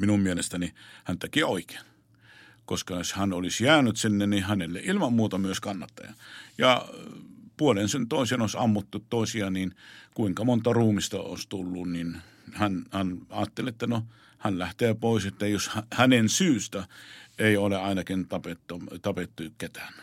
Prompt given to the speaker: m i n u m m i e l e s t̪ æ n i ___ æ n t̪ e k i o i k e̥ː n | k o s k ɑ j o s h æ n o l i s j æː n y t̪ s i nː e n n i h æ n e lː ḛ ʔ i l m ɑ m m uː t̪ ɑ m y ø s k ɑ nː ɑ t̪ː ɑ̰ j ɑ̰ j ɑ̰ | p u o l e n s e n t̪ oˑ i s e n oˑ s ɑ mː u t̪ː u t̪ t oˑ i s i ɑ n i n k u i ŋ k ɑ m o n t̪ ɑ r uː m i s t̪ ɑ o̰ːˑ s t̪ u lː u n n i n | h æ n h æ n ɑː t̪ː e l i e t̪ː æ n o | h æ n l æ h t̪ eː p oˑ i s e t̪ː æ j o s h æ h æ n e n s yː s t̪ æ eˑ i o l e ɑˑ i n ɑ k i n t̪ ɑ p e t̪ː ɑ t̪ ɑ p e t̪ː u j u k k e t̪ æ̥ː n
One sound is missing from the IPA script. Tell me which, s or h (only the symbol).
h